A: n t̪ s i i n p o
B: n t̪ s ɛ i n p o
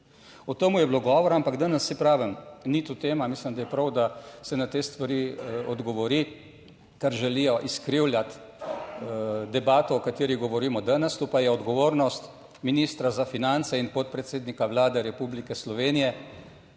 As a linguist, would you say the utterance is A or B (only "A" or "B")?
B